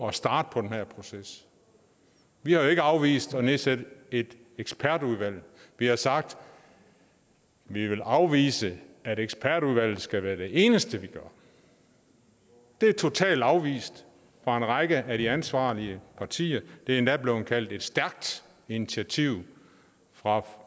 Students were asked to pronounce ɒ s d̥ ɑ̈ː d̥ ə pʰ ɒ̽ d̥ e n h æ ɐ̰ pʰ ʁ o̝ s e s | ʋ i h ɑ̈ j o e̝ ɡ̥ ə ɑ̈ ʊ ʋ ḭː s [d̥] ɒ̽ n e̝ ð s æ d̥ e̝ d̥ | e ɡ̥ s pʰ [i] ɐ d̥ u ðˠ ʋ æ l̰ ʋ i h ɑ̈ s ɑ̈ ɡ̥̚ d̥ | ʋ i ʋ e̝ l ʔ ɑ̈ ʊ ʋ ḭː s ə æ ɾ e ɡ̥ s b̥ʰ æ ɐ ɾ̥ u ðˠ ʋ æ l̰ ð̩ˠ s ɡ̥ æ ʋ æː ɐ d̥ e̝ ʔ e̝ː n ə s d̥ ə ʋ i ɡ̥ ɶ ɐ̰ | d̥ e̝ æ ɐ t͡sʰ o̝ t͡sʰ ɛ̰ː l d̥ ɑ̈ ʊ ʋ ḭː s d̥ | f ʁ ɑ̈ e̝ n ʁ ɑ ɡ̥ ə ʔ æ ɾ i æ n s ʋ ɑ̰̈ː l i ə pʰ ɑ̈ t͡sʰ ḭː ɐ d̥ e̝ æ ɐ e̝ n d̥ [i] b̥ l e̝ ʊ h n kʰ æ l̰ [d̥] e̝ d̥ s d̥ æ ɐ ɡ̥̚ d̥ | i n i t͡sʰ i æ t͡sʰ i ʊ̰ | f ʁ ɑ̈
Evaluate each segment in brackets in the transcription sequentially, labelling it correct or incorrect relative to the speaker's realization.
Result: correct, incorrect, incorrect, correct

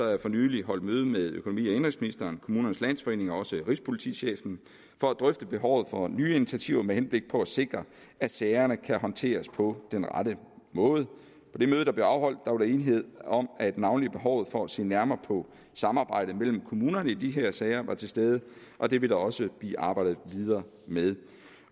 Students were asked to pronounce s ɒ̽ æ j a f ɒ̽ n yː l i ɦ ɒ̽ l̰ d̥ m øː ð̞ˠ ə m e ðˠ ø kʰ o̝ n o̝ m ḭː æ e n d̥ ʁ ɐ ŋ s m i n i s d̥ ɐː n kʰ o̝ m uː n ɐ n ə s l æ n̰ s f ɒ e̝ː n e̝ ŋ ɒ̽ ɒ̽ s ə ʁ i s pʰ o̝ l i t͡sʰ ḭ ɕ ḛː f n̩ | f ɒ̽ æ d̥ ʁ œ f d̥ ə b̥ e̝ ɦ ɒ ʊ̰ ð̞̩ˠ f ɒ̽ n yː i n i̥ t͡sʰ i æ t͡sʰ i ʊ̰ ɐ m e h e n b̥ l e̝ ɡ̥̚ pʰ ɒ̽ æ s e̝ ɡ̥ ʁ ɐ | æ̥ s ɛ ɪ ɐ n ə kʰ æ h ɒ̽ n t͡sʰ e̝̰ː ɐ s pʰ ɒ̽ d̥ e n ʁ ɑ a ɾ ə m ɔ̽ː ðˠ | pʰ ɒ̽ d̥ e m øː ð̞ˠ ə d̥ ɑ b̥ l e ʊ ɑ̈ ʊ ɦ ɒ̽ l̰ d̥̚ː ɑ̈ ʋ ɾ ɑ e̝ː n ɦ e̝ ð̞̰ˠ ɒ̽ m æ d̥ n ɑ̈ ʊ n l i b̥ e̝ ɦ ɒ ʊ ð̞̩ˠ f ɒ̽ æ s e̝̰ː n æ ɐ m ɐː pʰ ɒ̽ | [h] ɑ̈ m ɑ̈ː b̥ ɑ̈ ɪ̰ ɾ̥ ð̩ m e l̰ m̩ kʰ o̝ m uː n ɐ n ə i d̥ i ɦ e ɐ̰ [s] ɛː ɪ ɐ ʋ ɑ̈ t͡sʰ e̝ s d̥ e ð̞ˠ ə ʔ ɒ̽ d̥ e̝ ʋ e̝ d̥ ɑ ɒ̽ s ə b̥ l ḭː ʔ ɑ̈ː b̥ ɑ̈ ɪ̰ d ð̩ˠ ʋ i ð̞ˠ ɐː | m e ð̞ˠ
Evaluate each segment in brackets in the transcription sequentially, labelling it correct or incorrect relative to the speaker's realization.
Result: incorrect, correct

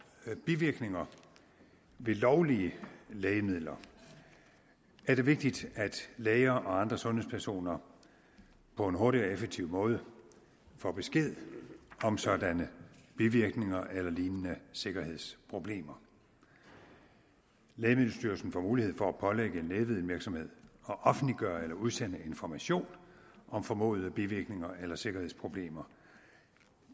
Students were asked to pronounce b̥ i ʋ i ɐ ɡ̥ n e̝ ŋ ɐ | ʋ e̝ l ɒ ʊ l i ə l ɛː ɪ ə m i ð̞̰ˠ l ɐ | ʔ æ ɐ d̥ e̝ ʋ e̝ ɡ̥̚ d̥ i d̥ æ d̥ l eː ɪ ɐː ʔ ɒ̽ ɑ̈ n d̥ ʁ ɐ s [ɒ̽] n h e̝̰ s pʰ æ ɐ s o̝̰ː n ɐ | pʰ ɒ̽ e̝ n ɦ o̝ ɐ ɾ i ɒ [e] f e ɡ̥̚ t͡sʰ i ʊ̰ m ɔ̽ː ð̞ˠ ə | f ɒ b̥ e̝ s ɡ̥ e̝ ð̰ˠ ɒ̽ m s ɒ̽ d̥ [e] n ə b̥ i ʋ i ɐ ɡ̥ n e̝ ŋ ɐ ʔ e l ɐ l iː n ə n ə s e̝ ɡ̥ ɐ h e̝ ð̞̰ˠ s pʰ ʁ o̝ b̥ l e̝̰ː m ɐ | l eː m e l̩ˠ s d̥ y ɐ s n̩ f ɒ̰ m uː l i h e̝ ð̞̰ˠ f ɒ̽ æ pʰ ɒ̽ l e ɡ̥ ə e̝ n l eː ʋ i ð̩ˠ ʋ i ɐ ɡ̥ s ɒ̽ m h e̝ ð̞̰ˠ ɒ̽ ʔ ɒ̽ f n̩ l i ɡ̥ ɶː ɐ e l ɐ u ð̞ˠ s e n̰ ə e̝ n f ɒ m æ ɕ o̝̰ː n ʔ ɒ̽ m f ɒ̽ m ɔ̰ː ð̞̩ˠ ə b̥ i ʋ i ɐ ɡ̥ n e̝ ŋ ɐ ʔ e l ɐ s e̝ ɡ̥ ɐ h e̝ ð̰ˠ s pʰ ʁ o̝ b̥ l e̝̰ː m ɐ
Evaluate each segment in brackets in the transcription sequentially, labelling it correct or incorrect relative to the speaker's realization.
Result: incorrect, correct, incorrect

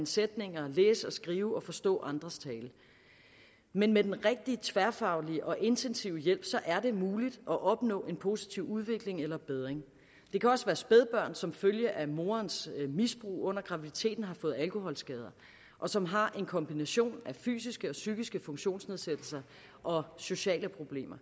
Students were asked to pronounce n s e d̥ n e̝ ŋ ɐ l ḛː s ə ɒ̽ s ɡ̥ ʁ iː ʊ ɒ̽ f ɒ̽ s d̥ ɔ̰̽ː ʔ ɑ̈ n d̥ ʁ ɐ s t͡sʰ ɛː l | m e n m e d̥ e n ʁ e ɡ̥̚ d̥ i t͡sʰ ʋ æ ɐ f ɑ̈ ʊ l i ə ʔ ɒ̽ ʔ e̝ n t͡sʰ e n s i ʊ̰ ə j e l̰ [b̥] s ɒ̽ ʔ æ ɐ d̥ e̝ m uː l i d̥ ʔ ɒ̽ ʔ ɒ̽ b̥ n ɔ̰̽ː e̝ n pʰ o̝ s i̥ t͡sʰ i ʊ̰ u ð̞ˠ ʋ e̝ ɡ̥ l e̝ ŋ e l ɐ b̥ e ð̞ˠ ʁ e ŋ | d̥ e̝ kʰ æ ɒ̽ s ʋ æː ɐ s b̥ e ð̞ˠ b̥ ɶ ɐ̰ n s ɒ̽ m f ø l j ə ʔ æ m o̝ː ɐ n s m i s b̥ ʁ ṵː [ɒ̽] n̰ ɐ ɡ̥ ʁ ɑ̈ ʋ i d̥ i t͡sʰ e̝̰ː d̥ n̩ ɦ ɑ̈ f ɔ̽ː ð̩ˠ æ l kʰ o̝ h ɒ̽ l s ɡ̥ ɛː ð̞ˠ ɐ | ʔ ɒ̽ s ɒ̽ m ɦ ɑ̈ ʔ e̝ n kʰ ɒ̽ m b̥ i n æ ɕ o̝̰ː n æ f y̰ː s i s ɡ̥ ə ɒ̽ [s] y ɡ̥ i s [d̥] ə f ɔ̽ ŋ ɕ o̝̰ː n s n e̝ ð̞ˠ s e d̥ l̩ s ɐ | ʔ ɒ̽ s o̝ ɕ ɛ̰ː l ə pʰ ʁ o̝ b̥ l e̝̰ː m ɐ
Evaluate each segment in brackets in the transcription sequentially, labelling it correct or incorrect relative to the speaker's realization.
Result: correct, incorrect, correct, incorrect

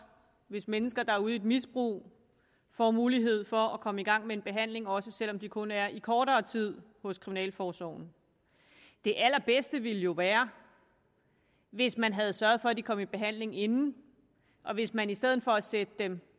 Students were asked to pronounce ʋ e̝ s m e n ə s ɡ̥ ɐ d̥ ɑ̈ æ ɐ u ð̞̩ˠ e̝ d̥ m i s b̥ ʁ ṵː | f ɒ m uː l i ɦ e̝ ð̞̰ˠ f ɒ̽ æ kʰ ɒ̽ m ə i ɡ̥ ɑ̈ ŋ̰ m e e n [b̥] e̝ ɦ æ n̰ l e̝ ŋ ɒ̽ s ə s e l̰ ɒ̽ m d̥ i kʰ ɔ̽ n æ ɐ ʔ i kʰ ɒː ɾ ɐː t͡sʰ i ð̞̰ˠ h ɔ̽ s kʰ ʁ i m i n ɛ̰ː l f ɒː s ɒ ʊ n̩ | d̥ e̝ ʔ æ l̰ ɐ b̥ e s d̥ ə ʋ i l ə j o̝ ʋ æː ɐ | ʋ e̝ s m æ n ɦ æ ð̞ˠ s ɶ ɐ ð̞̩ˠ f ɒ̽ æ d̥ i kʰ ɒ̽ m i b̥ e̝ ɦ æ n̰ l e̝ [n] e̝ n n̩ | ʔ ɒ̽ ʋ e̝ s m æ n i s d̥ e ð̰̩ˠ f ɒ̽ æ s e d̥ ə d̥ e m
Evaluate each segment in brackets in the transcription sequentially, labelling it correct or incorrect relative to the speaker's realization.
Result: correct, incorrect

